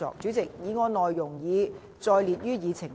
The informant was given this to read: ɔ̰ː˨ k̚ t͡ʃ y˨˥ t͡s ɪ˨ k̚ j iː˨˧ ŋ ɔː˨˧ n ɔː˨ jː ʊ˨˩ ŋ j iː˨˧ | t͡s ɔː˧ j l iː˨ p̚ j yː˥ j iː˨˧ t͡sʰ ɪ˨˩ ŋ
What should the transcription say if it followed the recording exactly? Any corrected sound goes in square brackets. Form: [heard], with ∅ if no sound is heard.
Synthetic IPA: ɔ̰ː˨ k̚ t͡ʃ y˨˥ t͡s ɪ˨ k̚ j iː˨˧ ŋ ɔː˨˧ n ɔː˨ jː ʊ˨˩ ŋ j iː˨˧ | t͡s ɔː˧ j l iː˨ [t̚] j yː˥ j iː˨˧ t͡sʰ ɪ˨˩ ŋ

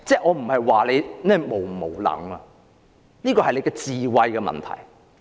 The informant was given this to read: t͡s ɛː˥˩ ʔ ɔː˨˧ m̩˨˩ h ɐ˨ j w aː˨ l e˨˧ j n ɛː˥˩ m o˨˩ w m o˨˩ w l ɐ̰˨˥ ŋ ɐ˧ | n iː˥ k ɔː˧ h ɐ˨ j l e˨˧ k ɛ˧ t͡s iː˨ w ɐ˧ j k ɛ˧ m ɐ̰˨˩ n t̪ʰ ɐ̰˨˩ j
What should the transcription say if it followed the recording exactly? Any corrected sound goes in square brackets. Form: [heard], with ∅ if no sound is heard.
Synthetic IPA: t͡s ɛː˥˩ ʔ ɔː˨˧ m̩˨˩ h ɐ˨ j w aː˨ l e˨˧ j n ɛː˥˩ m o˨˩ w m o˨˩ w l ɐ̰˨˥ ŋ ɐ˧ | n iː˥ k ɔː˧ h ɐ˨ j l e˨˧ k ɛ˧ t͡s iː˨ w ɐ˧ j k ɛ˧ m ɐ̰˨˩ n t̪ʰ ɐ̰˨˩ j

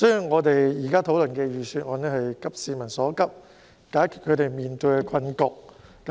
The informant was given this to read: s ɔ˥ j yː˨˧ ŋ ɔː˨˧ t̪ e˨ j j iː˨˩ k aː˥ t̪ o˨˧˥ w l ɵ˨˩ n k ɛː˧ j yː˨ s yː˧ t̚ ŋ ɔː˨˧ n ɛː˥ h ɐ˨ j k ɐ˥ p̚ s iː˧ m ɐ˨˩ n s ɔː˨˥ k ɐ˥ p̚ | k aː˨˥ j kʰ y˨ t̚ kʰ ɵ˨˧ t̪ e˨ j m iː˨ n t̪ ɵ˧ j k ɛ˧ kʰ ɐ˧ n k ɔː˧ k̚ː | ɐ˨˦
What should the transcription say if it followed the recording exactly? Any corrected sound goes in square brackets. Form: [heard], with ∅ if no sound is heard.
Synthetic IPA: s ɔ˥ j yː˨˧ ŋ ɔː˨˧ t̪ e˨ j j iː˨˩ k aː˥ [t̪ʰ] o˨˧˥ w l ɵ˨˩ n k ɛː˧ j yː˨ s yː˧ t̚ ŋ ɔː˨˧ n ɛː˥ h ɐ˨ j k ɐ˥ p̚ s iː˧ m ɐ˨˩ n s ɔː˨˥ k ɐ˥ p̚ | k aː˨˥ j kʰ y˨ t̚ kʰ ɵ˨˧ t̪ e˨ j m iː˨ n t̪ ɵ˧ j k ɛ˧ kʰ ɐ˧ n k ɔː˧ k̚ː | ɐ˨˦

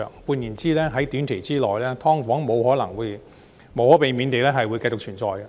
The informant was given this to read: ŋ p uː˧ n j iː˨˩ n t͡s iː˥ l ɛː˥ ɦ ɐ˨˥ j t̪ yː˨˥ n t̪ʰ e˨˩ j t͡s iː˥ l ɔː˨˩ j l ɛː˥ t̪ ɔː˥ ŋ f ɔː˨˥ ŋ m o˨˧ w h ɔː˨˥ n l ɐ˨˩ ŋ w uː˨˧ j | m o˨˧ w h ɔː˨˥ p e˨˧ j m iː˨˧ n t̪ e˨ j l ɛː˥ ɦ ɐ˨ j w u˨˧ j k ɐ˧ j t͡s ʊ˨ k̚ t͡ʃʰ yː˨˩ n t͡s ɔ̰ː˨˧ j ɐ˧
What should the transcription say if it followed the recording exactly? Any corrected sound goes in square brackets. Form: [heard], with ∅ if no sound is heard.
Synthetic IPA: ŋ p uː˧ n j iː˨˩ n t͡s iː˥ l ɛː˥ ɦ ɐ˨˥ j t̪ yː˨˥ n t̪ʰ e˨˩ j t͡s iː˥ l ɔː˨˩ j l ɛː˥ [t̪ʰ] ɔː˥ ŋ f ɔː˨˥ ŋ m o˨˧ w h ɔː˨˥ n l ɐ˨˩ ŋ w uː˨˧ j | m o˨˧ w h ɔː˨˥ p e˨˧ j m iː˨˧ n t̪ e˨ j l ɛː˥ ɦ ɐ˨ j w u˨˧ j k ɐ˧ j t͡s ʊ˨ k̚ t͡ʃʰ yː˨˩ n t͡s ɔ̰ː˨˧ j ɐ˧

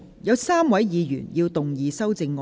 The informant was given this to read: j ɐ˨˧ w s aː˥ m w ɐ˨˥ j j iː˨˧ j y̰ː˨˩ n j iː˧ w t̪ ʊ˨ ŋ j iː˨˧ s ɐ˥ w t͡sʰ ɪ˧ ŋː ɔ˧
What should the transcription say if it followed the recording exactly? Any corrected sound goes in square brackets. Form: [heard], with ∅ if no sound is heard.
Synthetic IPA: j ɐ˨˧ w s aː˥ m w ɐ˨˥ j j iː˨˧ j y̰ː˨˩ n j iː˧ w t̪ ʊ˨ ŋ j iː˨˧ s ɐ˥ w [t͡s] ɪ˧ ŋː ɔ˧

